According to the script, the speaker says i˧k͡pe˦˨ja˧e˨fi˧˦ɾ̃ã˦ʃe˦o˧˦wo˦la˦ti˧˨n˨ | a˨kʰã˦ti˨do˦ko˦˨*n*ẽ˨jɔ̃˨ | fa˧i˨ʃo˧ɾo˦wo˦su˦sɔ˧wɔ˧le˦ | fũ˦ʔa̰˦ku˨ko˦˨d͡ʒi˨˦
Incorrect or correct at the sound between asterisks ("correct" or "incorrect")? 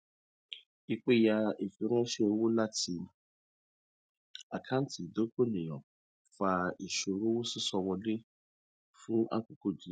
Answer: correct